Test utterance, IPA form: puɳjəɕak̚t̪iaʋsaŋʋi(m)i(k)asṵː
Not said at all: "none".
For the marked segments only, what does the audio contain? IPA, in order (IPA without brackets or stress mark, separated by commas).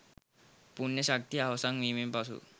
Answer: m, p